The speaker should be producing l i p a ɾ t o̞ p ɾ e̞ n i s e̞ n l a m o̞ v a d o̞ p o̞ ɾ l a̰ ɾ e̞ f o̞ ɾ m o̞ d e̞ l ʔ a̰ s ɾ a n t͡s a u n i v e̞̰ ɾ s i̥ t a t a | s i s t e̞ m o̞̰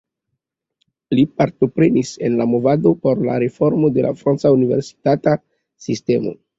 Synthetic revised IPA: l i p a ɾ t o̞ p ɾ e̞ n i s e̞ n l a m o̞ v a d o̞ p o̞ ɾ l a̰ ɾ e̞ f o̞ ɾ m o̞ d e̞ l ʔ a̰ f ɾ a n t͡s a u n i v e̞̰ ɾ s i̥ t a t a | s i s t e̞ m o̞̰